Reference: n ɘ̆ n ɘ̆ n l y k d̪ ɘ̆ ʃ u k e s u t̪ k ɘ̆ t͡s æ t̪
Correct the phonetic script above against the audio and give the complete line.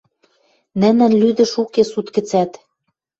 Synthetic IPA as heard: n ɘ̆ n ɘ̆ n l y d̪ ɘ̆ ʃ u k e s u t̪ k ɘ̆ t͡s æ t̪